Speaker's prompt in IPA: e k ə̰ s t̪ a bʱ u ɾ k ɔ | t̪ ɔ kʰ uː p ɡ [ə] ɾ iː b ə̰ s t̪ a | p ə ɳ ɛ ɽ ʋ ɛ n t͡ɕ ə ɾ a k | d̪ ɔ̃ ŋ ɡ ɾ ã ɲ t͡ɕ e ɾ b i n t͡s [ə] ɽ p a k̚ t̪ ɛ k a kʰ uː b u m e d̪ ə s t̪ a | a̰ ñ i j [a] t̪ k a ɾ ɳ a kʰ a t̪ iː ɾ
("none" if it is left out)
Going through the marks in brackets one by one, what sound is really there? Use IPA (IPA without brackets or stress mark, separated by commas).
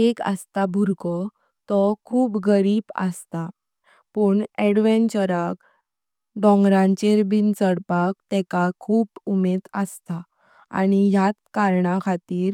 ə, ə, a